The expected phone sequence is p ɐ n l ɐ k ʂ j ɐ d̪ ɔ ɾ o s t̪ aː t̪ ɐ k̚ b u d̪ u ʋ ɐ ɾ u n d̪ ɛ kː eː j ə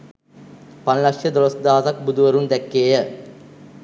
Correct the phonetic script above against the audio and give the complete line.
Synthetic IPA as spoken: p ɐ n l ɐ k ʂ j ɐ d̪ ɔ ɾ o s d̪ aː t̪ ɐ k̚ b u d̪ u ʋ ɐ ɾ u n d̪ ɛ kː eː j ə